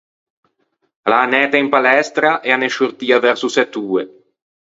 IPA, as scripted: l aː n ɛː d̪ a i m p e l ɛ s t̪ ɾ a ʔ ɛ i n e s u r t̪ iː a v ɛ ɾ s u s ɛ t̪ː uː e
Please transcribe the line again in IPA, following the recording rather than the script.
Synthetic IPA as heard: l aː n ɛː t̪ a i m p a l ɛ s t̪ ɾ a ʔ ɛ a n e ʃ u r t̪ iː a v ɛ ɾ s u s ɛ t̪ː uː e